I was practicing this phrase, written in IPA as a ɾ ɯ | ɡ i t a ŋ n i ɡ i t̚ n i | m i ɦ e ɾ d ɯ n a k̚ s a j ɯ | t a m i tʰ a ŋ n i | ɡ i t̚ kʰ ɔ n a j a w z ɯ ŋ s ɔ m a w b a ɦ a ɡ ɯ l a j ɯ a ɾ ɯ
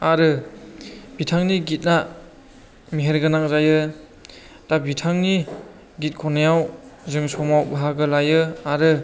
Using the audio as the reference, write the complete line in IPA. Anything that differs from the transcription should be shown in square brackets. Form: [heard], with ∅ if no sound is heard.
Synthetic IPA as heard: a ɾ ɯ | [b] i [tʰ] a ŋ n i ɡ i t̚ n [a] | m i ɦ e ɾ [ɡ] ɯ n a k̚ [z] a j ɯ | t a [b] i tʰ a ŋ n i | ɡ i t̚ kʰ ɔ n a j a w z ɯ ŋ s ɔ m a w b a ɦ a ɡ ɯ l a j ɯ a ɾ ɯ

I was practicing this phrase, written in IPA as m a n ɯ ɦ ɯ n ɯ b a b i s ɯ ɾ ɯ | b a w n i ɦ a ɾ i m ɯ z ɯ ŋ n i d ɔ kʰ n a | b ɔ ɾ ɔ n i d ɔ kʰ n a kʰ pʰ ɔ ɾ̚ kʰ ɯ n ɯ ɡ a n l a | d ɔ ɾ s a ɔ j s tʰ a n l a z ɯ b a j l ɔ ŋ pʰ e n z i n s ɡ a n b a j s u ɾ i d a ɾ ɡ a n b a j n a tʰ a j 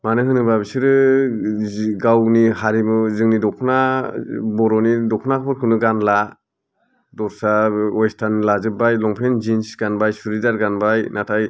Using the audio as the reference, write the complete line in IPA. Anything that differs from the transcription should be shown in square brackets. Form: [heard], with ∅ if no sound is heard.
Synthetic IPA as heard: m a n ɯ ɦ ɯ n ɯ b a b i s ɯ ɾ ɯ | [ɡ] a w n i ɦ a ɾ i m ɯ z ɯ ŋ n i d ɔ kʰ n a | b ɔ ɾ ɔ n i d ɔ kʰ n a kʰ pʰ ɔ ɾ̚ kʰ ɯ n ɯ ɡ a n l a | d ɔ ɾ s a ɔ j s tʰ a n l a z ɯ b a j l ɔ ŋ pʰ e n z i n s ɡ a n b a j s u ɾ i d a ɾ ɡ a n b a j n a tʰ a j

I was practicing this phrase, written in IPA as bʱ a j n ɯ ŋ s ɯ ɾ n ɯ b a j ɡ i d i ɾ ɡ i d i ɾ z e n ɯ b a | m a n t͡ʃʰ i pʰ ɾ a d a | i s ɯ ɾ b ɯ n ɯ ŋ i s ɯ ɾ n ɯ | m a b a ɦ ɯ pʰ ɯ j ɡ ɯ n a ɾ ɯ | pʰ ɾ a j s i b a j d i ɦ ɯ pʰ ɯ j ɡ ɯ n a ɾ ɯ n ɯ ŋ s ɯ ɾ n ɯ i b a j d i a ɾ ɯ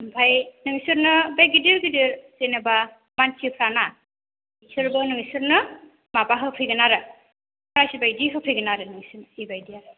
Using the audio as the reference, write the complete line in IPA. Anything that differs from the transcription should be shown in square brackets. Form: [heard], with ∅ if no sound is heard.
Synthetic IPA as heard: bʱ a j n ɯ ŋ s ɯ ɾ n ɯ b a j ɡ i d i ɾ ɡ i d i ɾ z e n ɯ b a | m a n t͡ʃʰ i pʰ ɾ a [n] a | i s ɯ ɾ b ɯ n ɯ ŋ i s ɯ ɾ n ɯ | m a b a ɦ ɯ pʰ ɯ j ɡ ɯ n a ɾ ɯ | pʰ ɾ a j s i b a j d i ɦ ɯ pʰ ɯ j ɡ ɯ n a ɾ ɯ n ɯ ŋ s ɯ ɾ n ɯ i b a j d i a ɾ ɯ

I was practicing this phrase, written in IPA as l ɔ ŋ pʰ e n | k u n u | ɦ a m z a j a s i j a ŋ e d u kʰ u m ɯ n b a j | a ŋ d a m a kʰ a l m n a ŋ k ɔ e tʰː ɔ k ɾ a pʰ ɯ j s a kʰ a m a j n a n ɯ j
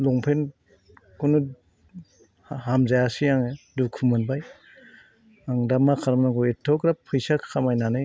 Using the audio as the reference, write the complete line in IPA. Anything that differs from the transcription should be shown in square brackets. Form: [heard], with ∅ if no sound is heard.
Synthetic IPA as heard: l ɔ ŋ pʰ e n | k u n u | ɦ a m z a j a s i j a ŋ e d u kʰ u m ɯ n b a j | a ŋ d a m a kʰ a [ɾ] m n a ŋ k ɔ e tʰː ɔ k ɾ a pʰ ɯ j s a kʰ a m a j n a n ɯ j

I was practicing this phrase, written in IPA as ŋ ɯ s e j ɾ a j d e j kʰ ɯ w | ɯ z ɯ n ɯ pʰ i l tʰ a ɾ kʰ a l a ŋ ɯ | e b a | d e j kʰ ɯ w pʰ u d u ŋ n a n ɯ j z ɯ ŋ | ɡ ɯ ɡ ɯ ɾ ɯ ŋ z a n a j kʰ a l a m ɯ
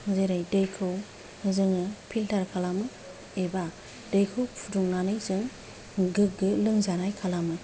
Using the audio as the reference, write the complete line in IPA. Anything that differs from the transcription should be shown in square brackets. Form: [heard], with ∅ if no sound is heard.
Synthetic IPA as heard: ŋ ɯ [z] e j ɾ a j d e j kʰ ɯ w | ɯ z ɯ [ŋ] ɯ pʰ i l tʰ a ɾ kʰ a l a [m] ɯ | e b a | d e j kʰ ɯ w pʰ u d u ŋ n a n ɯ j z ɯ ŋ | ɡ ɯ ɡ ɯ [l] ɯ ŋ z a n a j kʰ a l a m ɯ

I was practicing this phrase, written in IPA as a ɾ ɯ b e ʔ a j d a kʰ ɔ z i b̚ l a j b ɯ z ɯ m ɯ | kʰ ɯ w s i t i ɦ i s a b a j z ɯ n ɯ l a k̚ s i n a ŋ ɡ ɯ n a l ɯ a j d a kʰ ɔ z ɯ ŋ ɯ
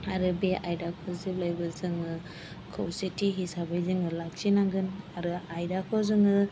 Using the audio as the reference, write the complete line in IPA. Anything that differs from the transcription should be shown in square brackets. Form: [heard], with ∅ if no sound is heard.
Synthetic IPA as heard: a ɾ ɯ b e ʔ a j d a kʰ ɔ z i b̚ l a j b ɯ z ɯ [ŋ] ɯ | kʰ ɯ w s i t i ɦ i s a b a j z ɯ [ŋ] ɯ l a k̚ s i n a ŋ ɡ ɯ n a [ɾ] ɯ a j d a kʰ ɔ z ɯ ŋ ɯ

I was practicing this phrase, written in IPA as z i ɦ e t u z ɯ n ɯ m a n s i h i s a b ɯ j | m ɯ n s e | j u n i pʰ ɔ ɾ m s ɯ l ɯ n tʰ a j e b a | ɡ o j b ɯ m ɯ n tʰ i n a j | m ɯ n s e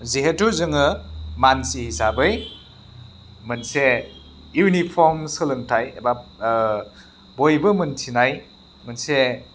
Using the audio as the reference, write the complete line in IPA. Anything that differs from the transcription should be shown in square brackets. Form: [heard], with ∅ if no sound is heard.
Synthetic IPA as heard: z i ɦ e t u z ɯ [ŋ] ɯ m a n s i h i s a b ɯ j | m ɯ n s e | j u n i pʰ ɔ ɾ m s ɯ l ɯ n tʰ a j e b a | [b] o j b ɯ m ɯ n tʰ i n a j | m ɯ n s e

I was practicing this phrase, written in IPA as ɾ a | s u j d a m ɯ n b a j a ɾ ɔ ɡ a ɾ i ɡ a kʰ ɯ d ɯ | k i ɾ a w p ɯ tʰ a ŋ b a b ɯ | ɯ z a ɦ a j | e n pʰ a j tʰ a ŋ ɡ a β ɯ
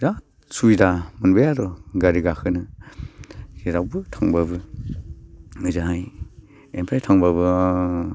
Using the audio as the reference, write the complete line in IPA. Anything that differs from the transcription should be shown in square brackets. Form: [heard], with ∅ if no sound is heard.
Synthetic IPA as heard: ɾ a | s u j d a m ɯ n b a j a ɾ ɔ ɡ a ɾ i ɡ a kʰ ɯ [n] ɯ | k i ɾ a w [b] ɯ tʰ a ŋ b a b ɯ | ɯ z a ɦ a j | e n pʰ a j tʰ a ŋ [b] a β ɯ

